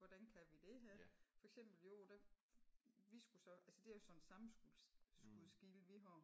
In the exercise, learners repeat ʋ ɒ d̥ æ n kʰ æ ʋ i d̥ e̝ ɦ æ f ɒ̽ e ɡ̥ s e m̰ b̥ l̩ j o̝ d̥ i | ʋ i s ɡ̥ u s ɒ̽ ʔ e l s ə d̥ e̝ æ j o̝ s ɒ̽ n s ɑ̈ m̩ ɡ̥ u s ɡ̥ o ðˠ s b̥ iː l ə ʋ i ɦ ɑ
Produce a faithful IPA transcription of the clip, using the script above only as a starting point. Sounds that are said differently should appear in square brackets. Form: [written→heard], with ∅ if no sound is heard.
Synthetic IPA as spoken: ʋ ɒ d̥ æ n kʰ æ ʋ i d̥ e̝ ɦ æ f ɒ̽ e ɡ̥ s e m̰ b̥ l̩ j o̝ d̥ [i→æ] | ʋ i s ɡ̥ u s ɒ̽ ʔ [e→æ] l s ə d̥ e̝ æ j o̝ s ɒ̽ n s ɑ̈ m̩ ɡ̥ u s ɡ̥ [o→u] ðˠ s [b̥→ɡ̥] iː l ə ʋ i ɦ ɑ